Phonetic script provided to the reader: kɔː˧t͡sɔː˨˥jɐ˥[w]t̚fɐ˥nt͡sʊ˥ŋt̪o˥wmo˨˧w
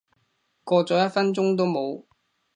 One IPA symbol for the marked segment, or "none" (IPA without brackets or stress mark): none